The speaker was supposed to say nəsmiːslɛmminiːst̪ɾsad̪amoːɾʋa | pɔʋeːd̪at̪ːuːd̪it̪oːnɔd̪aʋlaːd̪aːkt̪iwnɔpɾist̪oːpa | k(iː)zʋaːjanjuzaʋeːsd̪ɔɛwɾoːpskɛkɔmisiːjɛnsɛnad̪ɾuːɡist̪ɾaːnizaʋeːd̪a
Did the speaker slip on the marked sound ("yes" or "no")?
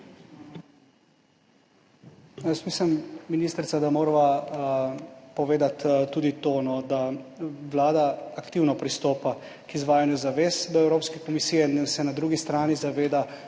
yes